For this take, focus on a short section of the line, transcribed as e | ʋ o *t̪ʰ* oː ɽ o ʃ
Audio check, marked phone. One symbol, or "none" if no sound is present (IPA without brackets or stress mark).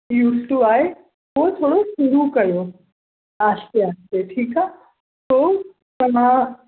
t̪ʰ